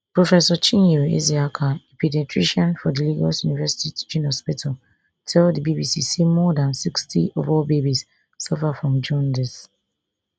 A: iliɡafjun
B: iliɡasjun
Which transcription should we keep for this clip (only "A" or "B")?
B